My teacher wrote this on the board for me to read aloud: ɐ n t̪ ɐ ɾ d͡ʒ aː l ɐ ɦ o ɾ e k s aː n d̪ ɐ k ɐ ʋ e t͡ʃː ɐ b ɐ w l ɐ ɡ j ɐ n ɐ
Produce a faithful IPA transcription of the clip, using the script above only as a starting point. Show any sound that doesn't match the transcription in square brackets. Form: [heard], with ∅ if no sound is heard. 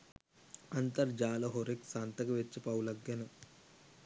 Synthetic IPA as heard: ɐ n t̪ ɐ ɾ d͡ʒ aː l ɐ ɦ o ɾ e k s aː n [t̪] ɐ k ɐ ʋ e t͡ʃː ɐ [p] ɐ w l ɐ ɡ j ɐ n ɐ

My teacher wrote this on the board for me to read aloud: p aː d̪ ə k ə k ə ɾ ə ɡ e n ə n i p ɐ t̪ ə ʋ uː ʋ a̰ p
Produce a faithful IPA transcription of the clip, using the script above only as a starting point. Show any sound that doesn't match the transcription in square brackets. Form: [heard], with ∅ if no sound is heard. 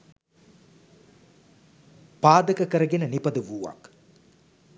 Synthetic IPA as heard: p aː d̪ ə k ə k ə ɾ ə ɡ e n ə n i p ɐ [d̪] ə ʋ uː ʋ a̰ [k]

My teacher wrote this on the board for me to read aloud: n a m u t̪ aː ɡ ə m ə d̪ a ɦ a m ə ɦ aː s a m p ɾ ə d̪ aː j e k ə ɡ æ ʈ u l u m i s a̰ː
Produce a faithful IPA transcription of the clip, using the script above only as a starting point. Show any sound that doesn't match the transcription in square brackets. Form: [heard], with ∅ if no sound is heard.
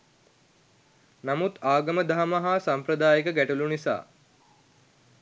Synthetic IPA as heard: n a m u t̪ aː ɡ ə m ə d̪ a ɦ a m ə ɦ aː s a m p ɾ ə d̪ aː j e k ə ɡ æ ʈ u l u [n] i s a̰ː

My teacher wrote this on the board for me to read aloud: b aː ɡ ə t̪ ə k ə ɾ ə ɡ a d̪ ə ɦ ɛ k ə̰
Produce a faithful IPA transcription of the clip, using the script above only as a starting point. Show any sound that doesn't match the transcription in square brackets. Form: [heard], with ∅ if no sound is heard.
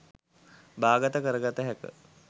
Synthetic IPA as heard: b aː ɡ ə t̪ ə k ə ɾ ə ɡ a [t̪] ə ɦ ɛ k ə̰

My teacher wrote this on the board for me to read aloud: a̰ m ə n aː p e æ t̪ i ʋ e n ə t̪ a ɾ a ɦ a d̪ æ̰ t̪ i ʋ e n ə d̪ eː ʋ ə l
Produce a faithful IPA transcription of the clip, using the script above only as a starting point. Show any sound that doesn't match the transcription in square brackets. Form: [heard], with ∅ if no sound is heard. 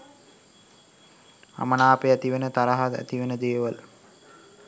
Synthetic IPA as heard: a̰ m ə n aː p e æ t̪ i ʋ e n ə t̪ a ɾ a ɦ a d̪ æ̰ t̪ i ʋ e n ə d̪ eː ʋ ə l

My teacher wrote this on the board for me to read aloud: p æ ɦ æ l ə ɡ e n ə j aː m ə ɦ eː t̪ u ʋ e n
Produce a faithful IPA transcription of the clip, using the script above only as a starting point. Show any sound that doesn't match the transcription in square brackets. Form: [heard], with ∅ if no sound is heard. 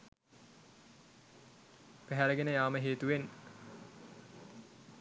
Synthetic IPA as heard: p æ ɦ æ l ə ɡ e n ə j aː m ə ɦ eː t̪ u ʋ e n

